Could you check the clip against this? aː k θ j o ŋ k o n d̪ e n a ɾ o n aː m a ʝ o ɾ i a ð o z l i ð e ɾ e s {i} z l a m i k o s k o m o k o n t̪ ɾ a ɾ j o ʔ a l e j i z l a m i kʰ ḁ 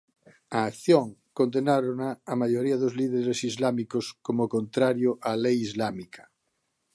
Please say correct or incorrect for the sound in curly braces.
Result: correct